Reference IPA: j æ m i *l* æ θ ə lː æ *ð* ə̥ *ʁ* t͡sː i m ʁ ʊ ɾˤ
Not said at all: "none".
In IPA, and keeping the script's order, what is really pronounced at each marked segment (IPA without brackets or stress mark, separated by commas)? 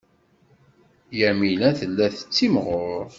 l, θ, none